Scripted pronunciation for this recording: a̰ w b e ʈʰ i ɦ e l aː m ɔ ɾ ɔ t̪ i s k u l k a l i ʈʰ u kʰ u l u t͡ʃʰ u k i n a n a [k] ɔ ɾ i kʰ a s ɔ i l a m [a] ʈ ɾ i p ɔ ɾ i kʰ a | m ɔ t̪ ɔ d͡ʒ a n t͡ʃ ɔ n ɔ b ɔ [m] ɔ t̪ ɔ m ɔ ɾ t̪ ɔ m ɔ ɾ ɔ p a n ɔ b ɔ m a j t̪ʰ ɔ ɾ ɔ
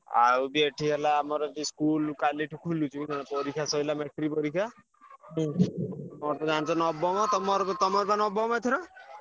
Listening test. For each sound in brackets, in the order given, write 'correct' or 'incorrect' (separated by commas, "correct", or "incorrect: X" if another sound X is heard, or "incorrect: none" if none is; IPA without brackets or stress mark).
incorrect: p, incorrect: e, correct